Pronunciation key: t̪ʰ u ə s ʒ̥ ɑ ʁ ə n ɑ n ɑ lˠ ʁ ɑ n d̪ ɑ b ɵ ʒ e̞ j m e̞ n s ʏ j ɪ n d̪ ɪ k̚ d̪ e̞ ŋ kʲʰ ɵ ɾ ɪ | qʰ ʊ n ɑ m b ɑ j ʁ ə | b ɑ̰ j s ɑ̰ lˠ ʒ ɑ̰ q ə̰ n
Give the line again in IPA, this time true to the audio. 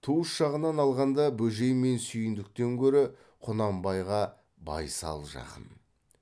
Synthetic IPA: t̪ʰ u ə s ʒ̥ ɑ ʁ ə n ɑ n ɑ lˠ ʁ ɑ n d̪ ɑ b ɵ ʒ e̞ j m e̞ n s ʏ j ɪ n d̪ ɪ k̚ t̪ e̞ ŋ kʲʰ ɵ ɾ ɪ | qʰ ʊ n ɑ m b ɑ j ʁ ɑ | b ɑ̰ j s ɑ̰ lˠ ʒ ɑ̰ q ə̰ n

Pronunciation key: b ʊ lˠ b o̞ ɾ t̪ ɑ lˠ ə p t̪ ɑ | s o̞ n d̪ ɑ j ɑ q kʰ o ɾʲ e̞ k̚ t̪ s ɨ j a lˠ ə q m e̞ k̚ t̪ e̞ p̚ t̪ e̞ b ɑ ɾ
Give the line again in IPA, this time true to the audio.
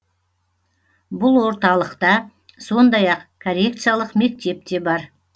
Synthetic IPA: b ʊ lˠ w o̞ ɾ t̪ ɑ lˠ ə q t̪ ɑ | s o̞ n d̪ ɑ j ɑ q kʰ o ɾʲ e̞ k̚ t̪ s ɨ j a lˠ ə q m e̞ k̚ t̪ e̞ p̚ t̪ e̞ b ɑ ɾ

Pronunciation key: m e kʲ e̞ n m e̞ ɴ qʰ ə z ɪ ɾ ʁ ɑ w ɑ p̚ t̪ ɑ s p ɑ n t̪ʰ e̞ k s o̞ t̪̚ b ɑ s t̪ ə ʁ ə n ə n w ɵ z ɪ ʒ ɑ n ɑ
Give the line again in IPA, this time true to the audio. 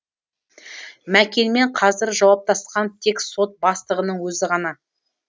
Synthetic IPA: m æ kʲ e̞ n m e̞ ɴ qʰ ɑ z ɪ ɾ ʒ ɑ w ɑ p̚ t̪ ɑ s q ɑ n t̪ʰ e̞ k s o̞ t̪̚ b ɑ s t̪ ə ʁ ə n ə ɴ w ɵ z ɪ ʁ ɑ n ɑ

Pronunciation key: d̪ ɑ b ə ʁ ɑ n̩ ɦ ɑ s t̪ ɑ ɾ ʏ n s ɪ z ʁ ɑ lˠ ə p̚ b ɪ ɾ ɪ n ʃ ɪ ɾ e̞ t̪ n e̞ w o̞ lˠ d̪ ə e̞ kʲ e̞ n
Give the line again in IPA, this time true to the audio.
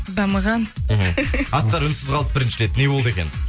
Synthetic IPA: d̪ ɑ m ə ʁ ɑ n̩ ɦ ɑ s t̪ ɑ ɾ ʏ n s ɪ z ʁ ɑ lˠ ə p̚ b ɪ ɾ ɪ n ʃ ɪ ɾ e̞ t̪ n e̞ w o̞ lˠ d̪ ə e̞ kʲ e̞ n

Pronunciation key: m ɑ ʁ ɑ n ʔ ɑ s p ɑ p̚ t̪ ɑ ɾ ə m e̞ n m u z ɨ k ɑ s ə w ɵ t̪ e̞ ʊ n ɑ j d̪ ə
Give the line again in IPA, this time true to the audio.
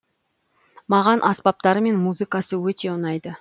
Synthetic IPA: m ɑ ʁ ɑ n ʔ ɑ s p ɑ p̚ t̪ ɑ ɾ ə m e̞ n m u z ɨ k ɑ s ə w ɵ t̪ e̞ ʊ n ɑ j d̪ ə

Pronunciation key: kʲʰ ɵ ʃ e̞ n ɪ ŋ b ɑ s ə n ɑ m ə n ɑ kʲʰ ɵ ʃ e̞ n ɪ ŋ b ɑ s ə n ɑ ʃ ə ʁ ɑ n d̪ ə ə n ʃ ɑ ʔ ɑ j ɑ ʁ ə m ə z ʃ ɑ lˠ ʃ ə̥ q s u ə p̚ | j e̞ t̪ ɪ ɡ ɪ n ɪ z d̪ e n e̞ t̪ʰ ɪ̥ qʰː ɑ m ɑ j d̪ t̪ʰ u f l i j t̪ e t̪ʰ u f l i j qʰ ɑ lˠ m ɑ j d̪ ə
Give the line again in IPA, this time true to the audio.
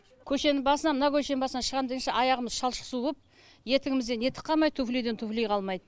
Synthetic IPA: kʲʰ ɵ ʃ e̞ n ɪ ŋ b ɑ s ə n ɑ m ə n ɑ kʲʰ ɵ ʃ e̞ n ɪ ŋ b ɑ s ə n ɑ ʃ ə ʁ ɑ n d̪ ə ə n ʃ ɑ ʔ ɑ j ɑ ʁ ə m ə z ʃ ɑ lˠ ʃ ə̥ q s u ə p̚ | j e̞ t̪ ɪ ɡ ɪ m ɪ z d̪ e n e̞ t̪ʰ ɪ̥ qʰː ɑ m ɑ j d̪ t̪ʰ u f l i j d̪ e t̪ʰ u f l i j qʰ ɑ lˠ m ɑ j d̪ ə

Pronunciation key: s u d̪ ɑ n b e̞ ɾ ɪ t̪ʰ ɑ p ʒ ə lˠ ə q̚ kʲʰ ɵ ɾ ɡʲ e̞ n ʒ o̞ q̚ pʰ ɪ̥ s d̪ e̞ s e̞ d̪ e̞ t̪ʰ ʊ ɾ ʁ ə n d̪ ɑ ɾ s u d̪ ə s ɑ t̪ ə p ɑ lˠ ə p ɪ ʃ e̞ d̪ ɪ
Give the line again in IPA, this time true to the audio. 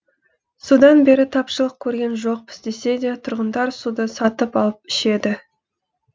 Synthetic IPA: s u d̪ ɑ n b e̞ ɾ ɪ t̪ʰ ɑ p ʃ ə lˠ ə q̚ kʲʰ ɵ ɾ ɡʲ e̞ n ʒ o̞ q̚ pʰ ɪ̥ s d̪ e̞ s e̞ d̪ e̞ t̪ʰ ʊ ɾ ʁ ə n d̪ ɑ ɾ s u d̪ ə s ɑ t̪ ə p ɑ lˠ ə p ɪ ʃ e̞ d̪ ɪ

